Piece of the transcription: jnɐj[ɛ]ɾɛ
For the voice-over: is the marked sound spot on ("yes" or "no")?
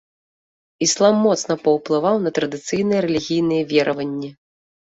yes